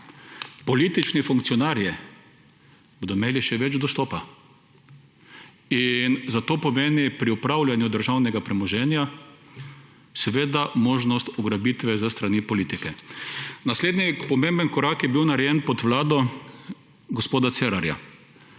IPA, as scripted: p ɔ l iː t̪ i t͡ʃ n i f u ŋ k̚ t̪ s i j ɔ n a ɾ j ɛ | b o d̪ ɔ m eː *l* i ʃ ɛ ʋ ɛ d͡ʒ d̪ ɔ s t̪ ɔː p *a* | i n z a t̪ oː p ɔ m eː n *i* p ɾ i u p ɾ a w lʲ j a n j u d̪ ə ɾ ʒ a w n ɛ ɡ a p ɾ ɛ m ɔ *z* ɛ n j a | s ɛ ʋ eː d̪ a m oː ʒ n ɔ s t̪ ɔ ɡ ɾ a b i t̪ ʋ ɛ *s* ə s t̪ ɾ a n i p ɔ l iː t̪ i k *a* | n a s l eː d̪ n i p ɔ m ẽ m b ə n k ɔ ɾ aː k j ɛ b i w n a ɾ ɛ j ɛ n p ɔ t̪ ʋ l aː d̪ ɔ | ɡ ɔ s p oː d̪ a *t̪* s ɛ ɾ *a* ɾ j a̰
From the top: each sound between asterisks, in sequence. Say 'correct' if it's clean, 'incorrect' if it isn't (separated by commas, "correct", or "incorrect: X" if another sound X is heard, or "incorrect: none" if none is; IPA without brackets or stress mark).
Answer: correct, correct, correct, incorrect: ʒ, incorrect: z, incorrect: ɛ, correct, correct